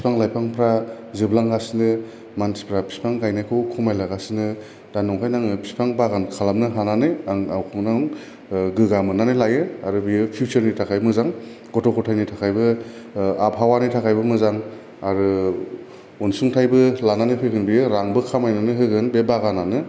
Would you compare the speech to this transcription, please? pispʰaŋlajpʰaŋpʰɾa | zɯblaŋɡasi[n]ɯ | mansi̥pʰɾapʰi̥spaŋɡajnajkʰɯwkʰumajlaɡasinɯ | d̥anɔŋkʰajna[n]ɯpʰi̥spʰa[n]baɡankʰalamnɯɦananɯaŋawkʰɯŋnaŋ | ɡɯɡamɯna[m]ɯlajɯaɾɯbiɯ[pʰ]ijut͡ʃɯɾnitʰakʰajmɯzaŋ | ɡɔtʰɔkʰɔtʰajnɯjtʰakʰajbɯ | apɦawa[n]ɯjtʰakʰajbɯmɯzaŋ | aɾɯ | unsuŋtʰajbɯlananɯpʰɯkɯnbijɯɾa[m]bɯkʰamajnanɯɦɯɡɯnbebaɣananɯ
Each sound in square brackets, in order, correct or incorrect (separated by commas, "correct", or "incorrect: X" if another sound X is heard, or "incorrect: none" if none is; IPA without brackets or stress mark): correct, incorrect: ŋ, incorrect: ŋ, incorrect: n, correct, correct, incorrect: ŋ